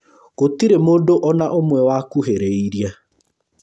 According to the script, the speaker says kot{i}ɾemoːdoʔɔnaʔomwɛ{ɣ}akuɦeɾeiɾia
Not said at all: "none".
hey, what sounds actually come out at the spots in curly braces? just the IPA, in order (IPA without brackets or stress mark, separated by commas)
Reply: i, w